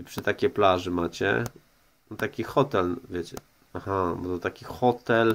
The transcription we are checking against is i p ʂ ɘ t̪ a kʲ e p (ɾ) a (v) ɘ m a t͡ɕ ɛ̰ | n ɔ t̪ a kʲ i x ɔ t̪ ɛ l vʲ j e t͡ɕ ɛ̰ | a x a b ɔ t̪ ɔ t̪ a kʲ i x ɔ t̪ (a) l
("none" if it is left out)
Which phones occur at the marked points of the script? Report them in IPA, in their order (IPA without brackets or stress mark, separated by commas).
l, ʐ, ɛ